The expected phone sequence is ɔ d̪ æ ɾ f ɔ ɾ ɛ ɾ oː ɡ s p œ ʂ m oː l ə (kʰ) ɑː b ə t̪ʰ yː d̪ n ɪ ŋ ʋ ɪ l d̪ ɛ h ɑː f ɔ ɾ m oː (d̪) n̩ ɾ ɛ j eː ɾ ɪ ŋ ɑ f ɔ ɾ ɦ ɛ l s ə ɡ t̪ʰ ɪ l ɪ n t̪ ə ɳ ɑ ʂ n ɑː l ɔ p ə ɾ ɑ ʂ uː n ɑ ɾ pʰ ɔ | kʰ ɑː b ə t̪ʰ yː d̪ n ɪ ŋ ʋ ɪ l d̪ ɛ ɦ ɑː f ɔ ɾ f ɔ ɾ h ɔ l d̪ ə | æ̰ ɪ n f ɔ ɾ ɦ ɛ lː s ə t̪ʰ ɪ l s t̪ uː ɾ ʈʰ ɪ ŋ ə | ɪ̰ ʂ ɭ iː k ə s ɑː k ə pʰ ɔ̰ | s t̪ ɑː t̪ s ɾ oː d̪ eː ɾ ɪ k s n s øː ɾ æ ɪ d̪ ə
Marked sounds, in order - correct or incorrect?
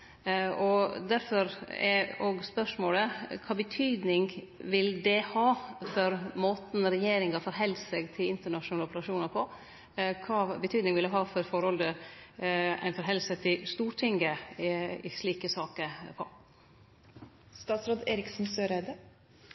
correct, incorrect

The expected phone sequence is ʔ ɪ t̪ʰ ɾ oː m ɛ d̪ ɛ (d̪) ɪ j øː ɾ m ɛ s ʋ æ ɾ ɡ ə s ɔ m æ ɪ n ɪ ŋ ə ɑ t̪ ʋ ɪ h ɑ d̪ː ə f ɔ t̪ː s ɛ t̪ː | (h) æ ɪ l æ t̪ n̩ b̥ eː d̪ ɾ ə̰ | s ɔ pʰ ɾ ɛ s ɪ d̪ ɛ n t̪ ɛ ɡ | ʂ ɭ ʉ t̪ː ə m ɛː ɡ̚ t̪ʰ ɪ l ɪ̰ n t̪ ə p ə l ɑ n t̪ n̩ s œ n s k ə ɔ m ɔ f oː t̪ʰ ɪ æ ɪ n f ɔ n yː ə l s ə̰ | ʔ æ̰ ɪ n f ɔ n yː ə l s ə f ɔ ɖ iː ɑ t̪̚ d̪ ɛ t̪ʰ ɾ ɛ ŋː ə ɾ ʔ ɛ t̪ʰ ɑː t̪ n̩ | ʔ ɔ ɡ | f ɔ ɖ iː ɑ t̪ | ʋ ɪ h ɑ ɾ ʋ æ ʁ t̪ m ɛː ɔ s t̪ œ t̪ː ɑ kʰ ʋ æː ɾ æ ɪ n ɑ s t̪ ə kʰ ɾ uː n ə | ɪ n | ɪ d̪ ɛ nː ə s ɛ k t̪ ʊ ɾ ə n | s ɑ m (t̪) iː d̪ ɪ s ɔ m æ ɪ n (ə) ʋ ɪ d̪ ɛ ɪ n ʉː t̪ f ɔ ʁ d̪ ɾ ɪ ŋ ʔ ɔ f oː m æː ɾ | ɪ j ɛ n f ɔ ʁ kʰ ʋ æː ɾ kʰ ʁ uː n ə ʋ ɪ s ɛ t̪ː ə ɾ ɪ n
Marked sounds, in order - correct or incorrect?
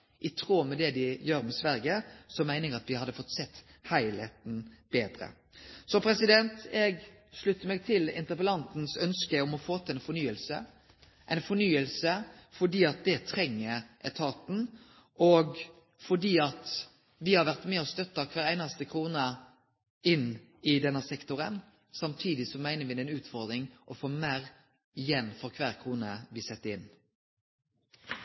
correct, correct, incorrect, correct

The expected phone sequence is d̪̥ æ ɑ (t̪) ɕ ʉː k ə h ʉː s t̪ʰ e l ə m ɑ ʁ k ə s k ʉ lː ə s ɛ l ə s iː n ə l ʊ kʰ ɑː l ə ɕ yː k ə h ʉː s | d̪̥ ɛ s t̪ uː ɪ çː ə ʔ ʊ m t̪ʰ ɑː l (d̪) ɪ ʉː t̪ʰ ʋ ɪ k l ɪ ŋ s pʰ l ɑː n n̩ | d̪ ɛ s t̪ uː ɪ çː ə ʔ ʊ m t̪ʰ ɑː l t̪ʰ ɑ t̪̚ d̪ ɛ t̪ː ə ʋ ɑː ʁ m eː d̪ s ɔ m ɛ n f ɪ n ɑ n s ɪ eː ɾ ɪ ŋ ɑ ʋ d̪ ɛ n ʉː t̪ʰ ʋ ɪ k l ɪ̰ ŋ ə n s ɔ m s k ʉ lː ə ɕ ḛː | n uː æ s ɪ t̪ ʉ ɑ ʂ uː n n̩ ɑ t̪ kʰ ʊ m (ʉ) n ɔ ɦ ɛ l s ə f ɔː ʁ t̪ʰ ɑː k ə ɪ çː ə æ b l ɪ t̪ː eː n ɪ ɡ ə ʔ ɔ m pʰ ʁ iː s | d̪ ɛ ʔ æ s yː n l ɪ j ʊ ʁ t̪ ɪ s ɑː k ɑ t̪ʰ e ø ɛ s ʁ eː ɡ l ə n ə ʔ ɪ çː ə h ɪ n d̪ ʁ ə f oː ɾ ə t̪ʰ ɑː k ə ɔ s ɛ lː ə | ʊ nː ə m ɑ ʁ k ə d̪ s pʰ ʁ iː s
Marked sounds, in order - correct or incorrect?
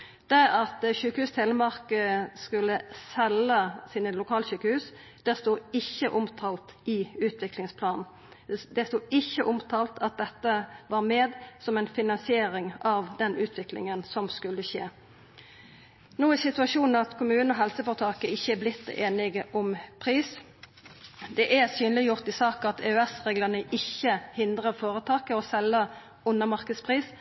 correct, incorrect, incorrect

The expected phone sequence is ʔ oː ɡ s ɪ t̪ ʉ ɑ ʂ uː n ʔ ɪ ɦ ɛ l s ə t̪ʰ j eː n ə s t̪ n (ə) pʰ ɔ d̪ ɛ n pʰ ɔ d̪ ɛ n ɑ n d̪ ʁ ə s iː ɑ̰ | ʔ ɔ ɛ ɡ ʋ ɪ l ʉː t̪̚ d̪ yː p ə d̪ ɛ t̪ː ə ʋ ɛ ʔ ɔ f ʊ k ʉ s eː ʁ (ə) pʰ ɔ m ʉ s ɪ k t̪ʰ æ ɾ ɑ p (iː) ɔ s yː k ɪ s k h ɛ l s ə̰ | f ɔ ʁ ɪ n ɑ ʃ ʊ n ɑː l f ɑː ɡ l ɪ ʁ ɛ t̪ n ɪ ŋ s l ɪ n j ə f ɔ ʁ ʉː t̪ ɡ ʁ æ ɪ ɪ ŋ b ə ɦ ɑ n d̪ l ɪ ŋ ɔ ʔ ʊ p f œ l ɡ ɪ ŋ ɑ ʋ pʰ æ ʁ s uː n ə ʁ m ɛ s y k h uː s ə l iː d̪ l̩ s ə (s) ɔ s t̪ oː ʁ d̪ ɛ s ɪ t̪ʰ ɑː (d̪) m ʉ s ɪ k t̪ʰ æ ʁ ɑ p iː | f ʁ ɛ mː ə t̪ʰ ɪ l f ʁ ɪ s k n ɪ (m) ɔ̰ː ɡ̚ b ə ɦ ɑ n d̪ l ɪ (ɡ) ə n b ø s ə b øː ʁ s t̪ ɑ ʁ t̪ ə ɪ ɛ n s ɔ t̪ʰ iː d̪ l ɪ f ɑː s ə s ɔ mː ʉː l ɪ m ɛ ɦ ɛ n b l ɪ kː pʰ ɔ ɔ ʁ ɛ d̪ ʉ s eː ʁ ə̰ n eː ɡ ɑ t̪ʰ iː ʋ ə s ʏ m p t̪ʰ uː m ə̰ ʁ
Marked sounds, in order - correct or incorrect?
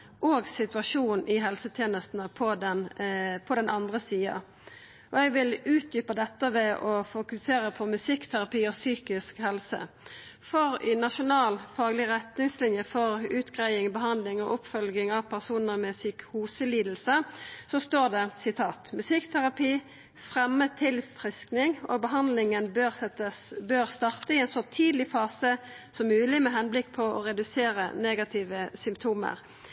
correct, correct, correct, correct, incorrect, incorrect, incorrect

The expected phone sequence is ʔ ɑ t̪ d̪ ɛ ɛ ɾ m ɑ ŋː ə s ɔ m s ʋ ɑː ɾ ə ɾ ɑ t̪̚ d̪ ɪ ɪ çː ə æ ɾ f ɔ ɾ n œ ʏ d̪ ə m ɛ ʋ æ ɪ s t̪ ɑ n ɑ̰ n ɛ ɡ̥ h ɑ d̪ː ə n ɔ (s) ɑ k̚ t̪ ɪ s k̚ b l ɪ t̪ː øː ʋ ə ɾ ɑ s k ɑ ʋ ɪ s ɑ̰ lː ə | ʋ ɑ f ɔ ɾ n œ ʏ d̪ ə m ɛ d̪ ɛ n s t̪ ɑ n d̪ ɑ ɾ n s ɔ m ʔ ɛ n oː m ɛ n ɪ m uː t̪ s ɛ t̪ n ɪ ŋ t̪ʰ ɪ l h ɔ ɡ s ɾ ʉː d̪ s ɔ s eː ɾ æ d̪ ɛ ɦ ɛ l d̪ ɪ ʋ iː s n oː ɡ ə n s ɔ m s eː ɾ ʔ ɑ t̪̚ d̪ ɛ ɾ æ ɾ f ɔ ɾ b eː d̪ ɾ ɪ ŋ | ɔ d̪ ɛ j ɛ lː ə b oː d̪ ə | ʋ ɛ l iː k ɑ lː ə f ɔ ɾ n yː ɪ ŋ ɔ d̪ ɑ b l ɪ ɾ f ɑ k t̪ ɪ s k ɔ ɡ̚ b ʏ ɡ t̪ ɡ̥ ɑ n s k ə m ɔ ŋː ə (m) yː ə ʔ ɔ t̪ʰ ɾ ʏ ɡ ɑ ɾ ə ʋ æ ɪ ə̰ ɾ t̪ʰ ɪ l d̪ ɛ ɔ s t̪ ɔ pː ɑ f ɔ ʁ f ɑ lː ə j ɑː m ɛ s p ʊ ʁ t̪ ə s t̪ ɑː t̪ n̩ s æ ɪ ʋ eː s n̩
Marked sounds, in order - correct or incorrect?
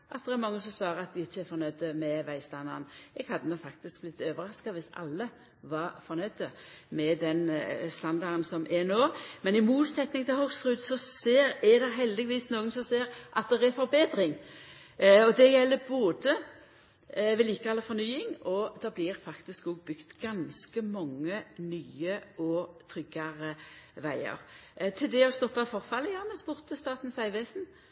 incorrect, incorrect

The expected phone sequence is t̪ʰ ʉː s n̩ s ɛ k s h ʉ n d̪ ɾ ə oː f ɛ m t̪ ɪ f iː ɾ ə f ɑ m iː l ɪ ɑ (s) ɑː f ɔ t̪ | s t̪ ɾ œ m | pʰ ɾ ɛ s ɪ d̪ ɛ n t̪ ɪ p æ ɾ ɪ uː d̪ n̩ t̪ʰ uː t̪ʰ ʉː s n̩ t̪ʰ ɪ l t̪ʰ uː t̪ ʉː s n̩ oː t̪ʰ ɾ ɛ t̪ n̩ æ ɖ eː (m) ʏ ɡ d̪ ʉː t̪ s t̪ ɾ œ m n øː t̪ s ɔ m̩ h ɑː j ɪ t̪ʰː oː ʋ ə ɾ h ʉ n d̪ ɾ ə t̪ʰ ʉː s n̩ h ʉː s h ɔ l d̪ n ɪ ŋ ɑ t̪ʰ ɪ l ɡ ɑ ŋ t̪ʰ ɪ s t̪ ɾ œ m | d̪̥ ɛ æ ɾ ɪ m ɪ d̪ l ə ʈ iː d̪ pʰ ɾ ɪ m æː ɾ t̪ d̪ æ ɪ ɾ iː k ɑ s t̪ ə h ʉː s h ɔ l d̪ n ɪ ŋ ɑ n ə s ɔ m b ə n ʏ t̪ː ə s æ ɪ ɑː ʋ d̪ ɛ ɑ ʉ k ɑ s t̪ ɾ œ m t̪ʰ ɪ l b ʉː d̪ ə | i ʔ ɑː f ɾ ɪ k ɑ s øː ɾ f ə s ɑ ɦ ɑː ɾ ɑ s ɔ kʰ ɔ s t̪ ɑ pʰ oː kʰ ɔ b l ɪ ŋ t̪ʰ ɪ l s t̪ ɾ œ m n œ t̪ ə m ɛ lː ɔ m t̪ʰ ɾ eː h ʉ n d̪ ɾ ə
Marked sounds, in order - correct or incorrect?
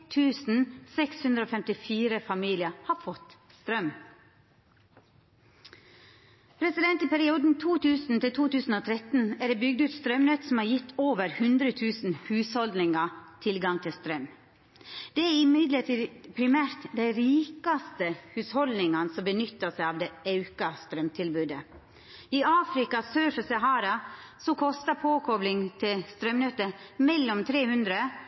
incorrect, incorrect

